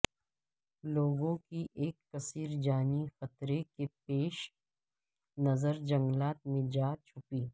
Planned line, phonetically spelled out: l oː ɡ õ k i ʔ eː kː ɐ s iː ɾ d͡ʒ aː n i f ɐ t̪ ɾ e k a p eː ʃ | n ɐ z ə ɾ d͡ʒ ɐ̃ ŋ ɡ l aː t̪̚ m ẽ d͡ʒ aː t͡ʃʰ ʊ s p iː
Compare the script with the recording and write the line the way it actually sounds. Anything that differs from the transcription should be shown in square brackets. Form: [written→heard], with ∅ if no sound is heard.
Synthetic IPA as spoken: l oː ɡ õ k i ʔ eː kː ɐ s iː ɾ d͡ʒ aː n i [f→x] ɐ t̪ ɾ e k [a→e] p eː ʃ | n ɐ z ə ɾ d͡ʒ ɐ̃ ŋ ɡ l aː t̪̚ m ẽ d͡ʒ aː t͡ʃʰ ʊ [s→∅] p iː

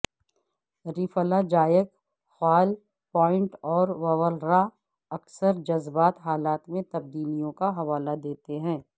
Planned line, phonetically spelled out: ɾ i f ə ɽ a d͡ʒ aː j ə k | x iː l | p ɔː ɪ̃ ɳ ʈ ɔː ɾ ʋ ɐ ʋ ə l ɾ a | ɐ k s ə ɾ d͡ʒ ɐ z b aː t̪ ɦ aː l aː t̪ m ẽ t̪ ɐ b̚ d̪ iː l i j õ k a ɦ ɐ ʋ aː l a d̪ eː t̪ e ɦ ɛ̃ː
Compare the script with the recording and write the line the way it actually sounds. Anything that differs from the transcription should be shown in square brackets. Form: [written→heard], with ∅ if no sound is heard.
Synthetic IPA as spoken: ɾ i f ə [ɽ→l] a d͡ʒ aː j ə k | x [iː→aː] l | p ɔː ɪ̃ ɳ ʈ ɔː ɾ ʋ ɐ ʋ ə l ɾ a | ɐ k s ə ɾ d͡ʒ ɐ z b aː t̪ ɦ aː l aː t̪ m ẽ t̪ ɐ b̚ d̪ iː l i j õ k a ɦ ɐ ʋ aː l a d̪ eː t̪ e ɦ ɛ̃ː

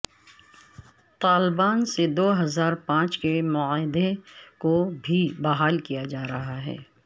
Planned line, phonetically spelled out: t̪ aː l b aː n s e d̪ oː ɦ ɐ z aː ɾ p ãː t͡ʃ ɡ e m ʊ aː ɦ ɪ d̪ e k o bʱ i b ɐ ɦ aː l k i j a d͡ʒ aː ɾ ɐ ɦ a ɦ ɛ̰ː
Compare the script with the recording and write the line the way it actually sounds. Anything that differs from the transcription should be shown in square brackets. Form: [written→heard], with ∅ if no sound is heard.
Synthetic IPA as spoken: t̪ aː l b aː n s e d̪ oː ɦ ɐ z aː ɾ p ãː t͡ʃ [ɡ→k] e m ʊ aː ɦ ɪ d̪ e k o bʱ i b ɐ ɦ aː l k i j a d͡ʒ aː ɾ ɐ ɦ a ɦ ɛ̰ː

